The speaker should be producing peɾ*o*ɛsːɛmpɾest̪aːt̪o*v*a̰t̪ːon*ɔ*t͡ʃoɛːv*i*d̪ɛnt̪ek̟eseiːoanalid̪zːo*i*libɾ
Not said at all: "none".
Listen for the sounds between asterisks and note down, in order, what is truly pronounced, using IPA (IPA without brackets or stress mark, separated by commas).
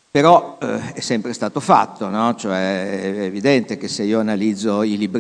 ɔ, f, ɔ, i, i